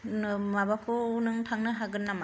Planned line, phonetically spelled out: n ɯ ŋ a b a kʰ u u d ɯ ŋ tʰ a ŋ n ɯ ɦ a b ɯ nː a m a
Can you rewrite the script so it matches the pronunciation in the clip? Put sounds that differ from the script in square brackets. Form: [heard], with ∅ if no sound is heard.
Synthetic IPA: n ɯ [m] a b a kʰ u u [n] ɯ ŋ tʰ a ŋ n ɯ ɦ a [ɡ] ɯ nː a m a